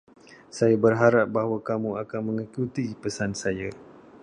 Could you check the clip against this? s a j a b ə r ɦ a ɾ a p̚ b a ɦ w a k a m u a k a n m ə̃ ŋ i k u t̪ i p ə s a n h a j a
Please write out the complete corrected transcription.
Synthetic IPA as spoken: s a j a b ə r ɦ a ɾ a p̚ b a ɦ w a k a m u a k a n m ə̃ ŋ i k u t̪ i p ə s a n s a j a